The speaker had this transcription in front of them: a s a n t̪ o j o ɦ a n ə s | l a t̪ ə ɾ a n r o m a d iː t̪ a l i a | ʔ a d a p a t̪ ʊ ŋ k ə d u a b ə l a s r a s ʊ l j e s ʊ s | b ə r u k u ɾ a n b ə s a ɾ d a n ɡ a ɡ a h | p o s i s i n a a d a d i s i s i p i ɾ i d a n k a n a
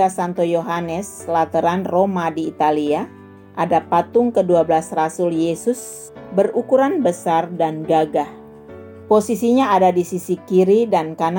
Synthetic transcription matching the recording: a s a n t̪ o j o ɦ a n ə s | l a t̪ ə ɾ a n r o m a d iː t̪ a l i a | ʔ a d a p a t̪ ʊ ŋ k ə d u a b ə l a s r a s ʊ l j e s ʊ s | b ə r u k u ɾ a n b ə s a r d a n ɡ a ɡ a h | p o s i s i ɲ a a d a d i s i s i k i ɾ i d a n k a n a